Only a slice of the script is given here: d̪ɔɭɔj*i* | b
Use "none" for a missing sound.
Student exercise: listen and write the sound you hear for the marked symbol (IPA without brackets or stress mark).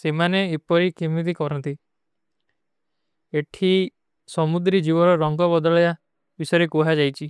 a